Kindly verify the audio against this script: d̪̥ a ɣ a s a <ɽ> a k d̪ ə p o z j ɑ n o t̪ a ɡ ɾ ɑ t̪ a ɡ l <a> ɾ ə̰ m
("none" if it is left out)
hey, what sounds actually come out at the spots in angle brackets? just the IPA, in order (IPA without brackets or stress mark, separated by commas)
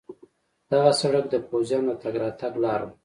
ɽ, ɑ